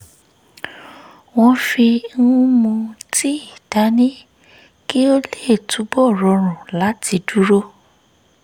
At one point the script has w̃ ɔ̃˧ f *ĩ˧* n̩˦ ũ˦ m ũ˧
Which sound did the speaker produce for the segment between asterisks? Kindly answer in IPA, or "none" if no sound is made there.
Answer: i˧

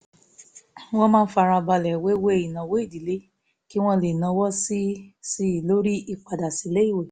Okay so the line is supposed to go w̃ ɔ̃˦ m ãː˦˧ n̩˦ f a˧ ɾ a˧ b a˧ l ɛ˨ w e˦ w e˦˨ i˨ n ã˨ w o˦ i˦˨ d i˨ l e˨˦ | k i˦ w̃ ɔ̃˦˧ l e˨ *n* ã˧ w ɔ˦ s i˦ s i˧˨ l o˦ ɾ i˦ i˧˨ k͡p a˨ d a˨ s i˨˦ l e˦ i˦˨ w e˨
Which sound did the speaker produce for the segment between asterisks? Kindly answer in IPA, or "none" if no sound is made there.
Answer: n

